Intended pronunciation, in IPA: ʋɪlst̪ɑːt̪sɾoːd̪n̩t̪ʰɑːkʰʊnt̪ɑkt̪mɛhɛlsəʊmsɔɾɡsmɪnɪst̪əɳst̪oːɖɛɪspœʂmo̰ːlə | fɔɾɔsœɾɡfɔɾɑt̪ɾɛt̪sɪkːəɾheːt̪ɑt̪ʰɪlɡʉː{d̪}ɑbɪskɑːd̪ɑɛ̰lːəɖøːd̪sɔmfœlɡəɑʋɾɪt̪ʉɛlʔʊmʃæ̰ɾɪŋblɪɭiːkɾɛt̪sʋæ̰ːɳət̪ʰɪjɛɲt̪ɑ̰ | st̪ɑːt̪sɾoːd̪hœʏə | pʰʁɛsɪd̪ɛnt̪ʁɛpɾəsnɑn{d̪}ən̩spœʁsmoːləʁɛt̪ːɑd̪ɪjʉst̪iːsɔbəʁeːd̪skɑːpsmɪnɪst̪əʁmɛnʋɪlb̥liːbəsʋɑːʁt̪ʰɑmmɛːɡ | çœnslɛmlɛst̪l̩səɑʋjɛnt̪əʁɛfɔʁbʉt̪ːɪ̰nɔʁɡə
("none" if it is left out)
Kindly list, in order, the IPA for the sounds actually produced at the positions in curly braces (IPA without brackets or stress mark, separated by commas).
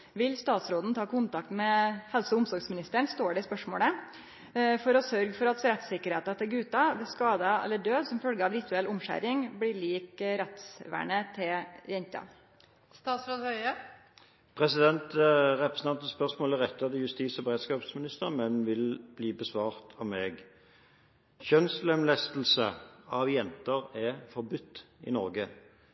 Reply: t̪, t̪